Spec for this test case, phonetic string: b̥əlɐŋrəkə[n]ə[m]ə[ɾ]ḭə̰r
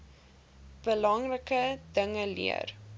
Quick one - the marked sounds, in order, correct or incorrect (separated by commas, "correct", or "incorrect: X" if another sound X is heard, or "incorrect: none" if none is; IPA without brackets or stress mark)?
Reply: incorrect: d, incorrect: ŋ, incorrect: l